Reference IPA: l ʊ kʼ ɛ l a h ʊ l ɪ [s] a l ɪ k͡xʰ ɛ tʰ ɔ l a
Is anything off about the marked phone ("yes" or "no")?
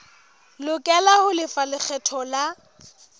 yes